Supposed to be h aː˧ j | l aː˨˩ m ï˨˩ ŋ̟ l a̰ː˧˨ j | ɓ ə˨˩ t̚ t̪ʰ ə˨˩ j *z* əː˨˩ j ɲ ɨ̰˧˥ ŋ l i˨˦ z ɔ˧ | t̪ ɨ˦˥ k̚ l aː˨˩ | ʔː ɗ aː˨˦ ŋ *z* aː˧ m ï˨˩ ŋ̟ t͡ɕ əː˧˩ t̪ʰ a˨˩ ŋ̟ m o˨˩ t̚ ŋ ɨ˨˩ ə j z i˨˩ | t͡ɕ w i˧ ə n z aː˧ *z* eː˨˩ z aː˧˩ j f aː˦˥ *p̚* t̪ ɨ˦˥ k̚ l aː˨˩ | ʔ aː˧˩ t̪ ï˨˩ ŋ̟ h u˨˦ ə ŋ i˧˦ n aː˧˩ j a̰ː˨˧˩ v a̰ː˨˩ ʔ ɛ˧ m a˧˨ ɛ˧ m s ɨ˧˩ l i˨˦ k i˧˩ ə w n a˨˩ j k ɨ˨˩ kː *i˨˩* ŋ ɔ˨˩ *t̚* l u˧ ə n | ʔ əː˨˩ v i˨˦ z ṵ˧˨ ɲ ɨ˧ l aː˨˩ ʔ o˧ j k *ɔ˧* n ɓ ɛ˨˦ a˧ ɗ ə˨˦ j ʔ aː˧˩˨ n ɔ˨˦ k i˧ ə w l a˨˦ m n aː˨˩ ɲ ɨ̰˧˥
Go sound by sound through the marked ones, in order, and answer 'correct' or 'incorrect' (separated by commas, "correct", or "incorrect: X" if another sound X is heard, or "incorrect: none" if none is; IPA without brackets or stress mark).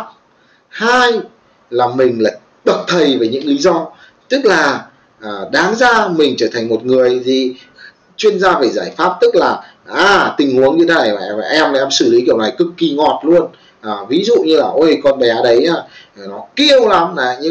incorrect: v, correct, incorrect: v, correct, correct, correct, correct